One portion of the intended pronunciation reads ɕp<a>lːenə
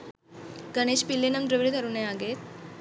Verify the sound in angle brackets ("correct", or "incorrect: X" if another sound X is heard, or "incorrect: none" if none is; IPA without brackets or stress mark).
incorrect: i